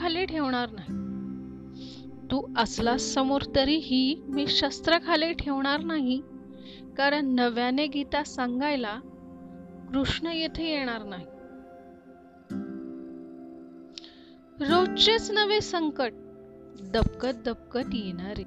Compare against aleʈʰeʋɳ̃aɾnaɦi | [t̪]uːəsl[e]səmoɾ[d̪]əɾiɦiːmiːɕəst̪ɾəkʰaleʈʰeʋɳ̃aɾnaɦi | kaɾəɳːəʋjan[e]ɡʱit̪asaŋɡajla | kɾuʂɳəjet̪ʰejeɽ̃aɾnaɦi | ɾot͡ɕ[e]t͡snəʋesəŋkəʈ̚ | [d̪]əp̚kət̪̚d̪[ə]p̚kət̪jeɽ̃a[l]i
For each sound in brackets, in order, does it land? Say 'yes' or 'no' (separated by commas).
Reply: yes, no, no, yes, yes, yes, yes, no